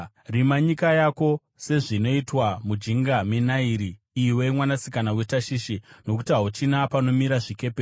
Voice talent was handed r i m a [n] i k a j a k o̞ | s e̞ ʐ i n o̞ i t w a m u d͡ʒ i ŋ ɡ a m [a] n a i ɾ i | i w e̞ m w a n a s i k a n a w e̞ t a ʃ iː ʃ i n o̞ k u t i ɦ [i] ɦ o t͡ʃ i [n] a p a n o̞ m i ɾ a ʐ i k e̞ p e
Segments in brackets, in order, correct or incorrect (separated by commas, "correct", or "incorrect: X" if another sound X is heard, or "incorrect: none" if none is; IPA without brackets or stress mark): incorrect: ɲ, incorrect: e, incorrect: a, correct